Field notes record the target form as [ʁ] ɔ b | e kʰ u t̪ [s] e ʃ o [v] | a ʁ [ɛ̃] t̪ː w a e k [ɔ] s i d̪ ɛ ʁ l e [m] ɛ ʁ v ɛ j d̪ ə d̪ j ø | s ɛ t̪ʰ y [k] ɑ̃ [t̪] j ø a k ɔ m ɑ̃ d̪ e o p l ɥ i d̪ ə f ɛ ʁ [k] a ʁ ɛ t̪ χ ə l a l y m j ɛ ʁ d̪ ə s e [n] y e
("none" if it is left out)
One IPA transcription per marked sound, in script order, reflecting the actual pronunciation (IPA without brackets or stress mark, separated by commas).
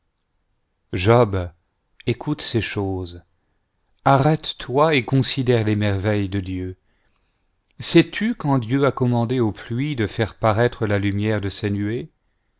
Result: ʒ, s, z, ɛ, ɔ̃, m, k, d̪, p, n